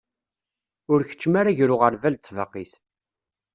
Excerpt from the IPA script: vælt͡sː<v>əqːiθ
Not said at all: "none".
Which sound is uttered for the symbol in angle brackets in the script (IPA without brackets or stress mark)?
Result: v